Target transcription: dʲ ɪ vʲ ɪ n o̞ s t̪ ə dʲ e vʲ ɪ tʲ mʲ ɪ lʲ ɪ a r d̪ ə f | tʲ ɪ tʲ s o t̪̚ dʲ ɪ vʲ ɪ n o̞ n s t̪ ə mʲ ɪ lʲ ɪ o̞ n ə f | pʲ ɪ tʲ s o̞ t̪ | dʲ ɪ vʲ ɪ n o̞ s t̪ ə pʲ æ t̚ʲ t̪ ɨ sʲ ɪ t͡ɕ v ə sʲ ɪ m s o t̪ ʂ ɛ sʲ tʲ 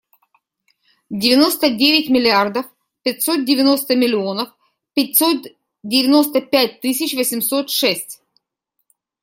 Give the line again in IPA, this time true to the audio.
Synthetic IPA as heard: dʲ ɪ vʲ ɪ n o̞ s t̪ ə dʲ e vʲ ɪ tʲ mʲ ɪ lʲ ɪ a r d̪ ə f | pʲ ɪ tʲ s o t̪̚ dʲ ɪ vʲ ɪ n o̞ s t̪ ə mʲ ɪ lʲ ɪ o̞ n ə f | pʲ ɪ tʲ s o̞ t̪ | dʲ ɪ vʲ ɪ n o̞ s t̪ ə pʲ æ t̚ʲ t̪ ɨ sʲ ɪ t͡ɕ v ə sʲ ɪ m s o t̪ ʂ ɛ sʲ tʲ